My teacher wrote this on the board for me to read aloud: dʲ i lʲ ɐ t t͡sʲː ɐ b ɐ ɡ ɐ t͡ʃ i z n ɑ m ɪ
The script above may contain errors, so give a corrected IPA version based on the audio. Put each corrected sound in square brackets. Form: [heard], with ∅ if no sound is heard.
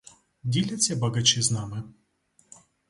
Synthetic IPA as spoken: dʲ i lʲ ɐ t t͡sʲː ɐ b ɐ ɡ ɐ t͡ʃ i z n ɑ m ɪ